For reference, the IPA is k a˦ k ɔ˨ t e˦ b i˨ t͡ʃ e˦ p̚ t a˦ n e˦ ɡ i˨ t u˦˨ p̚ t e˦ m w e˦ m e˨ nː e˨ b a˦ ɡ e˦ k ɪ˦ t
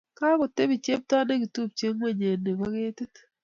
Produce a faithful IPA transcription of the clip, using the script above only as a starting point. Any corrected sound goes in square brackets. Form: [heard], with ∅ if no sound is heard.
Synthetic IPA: k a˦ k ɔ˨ t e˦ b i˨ t͡ʃ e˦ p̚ t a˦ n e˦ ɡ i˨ t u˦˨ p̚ [t͡ʃ] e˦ [ŋ] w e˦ [ɲ] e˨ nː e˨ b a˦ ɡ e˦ [t] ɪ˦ t